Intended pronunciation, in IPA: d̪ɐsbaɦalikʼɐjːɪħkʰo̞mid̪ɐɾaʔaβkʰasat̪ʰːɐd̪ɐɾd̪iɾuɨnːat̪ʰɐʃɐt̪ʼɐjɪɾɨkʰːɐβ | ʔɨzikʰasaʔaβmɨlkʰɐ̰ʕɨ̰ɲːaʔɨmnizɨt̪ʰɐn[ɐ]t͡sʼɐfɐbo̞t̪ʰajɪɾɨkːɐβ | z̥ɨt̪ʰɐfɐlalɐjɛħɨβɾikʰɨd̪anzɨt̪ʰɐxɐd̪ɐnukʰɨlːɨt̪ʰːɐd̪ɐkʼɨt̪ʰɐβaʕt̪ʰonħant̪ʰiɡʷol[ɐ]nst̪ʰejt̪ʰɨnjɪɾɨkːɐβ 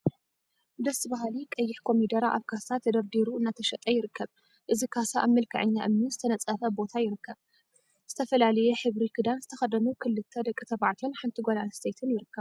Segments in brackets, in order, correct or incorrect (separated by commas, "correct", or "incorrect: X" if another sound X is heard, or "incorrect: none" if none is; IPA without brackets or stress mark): correct, incorrect: a